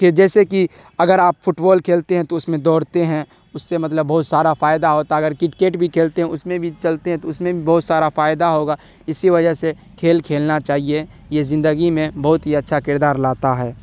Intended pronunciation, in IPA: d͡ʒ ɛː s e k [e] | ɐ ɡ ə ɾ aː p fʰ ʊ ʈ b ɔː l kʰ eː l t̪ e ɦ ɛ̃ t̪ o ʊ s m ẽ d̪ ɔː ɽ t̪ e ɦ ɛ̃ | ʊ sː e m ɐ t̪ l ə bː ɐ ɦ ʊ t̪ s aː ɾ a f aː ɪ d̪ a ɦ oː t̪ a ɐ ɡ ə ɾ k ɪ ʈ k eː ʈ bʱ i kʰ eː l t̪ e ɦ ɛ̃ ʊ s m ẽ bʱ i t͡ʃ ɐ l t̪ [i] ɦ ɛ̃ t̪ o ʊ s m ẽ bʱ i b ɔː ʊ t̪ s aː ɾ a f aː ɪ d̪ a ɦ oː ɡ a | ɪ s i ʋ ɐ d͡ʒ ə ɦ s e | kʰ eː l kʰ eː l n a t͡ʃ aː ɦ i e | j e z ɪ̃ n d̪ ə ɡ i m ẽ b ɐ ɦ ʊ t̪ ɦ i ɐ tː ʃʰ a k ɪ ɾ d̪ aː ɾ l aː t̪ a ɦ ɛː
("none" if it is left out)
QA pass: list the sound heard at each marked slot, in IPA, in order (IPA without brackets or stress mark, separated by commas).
i, e